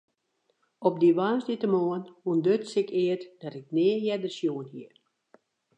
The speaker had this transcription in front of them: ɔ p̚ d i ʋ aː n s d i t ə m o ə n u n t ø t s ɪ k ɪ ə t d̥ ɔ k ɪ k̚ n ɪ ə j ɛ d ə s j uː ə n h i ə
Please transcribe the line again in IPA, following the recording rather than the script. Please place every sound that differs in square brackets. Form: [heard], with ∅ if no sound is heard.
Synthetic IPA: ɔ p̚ d i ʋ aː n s d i t ə m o ə n u n [d] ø t s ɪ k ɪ ə t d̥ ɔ [t] ɪ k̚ n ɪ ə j ɛ d ə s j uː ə n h i ə